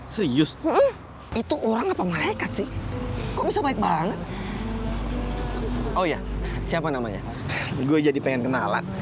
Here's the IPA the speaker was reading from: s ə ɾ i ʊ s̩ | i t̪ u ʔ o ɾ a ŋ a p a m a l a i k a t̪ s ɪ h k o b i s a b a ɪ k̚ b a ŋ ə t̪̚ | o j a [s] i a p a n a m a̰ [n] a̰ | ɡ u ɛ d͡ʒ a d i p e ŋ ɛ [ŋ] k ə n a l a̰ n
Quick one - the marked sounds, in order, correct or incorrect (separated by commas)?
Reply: correct, incorrect, incorrect